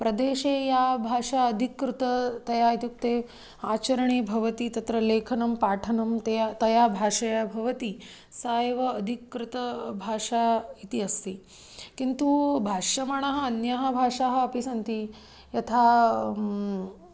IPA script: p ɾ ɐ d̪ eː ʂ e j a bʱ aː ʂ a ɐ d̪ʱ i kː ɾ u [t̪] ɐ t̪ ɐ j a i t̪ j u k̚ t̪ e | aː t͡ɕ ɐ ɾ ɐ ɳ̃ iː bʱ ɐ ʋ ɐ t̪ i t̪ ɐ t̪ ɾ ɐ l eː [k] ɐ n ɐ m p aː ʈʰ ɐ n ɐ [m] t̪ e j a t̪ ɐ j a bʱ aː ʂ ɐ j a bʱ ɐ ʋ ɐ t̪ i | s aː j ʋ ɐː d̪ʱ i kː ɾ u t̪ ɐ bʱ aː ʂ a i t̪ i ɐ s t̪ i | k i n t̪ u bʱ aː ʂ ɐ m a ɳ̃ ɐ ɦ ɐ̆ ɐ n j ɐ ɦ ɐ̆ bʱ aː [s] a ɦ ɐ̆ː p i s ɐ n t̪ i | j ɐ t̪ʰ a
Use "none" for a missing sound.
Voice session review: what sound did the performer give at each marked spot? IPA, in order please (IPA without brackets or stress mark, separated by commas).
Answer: t̪, kʰ, m, ʂ